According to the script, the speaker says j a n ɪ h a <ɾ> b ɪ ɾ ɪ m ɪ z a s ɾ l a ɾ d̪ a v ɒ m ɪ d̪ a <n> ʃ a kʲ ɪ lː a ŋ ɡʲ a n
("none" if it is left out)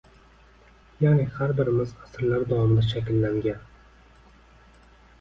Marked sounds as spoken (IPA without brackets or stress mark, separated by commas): ɾ, none